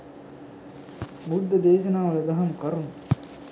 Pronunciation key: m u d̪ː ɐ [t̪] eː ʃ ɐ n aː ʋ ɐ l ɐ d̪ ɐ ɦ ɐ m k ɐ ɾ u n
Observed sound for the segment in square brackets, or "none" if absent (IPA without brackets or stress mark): d̪